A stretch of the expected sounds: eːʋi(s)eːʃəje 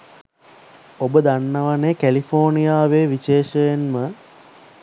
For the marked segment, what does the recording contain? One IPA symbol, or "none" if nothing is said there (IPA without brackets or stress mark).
ʃ